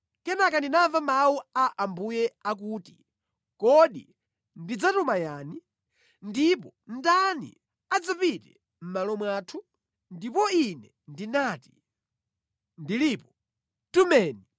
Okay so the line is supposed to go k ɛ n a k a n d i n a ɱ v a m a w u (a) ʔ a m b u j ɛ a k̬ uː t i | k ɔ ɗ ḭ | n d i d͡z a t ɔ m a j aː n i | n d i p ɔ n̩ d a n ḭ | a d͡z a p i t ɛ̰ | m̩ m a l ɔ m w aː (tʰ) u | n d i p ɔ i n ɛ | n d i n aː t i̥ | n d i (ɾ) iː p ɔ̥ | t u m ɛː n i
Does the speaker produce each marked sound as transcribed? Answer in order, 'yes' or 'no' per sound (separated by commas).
yes, yes, no